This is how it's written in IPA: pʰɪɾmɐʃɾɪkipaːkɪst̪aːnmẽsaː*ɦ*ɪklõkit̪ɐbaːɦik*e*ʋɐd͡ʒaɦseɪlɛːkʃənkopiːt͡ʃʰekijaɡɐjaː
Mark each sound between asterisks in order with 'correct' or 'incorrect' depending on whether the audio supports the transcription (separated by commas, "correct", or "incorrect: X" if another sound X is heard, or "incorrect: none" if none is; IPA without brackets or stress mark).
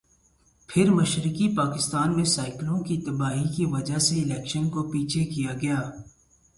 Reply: incorrect: none, incorrect: i